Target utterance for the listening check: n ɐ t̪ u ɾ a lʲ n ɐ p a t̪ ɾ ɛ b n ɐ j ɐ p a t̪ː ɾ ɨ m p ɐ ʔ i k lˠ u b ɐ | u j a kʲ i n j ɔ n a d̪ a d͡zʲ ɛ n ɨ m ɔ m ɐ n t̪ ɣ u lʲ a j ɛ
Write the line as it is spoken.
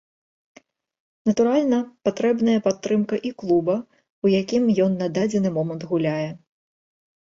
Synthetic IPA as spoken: n ɐ t̪ u ɾ a lʲ n ɐ p a t̪ ɾ ɛ b n ɐ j ɐ p a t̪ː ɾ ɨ m k ɐ ʔ i k lˠ u b ɐ | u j a kʲ i m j ɔ nː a d̪ a d͡zʲ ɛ n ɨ m ɔ m ɐ n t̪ ɣ u lʲ a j ɛ